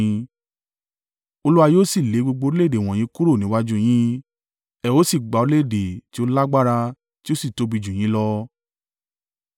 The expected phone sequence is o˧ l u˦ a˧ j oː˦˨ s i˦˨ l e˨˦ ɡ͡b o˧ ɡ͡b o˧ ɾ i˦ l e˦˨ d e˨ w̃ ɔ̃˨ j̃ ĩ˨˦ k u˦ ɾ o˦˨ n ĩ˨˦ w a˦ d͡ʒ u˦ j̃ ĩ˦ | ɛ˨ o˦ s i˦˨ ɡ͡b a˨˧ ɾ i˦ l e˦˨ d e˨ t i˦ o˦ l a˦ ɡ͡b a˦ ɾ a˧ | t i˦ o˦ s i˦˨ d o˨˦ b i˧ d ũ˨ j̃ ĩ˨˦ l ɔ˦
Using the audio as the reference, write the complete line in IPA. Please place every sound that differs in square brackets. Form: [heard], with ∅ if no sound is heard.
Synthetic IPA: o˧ l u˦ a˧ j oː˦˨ s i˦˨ l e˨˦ ɡ͡b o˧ ɡ͡b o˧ ɾ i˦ l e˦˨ d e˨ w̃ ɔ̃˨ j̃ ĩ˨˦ k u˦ ɾ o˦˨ n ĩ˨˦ w a˦ d͡ʒ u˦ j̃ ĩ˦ | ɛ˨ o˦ s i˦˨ ɡ͡b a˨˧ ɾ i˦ l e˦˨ d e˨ t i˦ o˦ l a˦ ɡ͡b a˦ ɾ a˧ | t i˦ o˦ s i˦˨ [t] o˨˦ b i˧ [d͡ʒ] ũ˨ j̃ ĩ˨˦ l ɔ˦